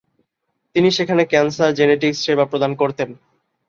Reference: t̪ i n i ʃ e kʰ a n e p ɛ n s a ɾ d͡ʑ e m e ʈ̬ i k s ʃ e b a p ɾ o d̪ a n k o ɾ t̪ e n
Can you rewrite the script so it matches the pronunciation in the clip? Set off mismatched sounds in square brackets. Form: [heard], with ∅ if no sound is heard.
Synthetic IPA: t̪ i n i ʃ e kʰ a n e [k] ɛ n s a ɾ d͡ʑ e [n] e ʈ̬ i k s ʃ e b a p ɾ o d̪ a n k o ɾ t̪ e n